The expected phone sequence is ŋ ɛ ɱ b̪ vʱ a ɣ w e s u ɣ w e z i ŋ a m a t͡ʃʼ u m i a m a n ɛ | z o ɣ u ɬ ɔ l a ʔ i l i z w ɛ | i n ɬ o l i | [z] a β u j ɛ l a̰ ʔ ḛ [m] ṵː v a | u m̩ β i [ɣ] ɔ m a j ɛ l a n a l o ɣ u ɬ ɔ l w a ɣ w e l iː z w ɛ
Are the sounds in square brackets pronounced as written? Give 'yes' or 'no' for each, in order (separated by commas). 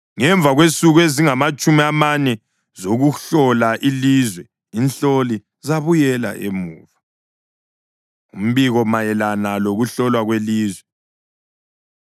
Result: yes, yes, yes